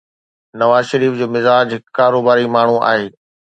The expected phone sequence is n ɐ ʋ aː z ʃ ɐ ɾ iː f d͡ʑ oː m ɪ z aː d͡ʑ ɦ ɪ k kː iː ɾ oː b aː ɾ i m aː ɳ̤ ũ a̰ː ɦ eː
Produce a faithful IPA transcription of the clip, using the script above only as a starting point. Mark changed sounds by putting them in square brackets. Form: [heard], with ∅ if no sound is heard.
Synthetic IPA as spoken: n ɐ ʋ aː z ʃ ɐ ɾ iː f d͡ʑ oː m ɪ z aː d͡ʑ ɦ ɪ k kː [aː] ɾ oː b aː ɾ i m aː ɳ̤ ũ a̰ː ɦ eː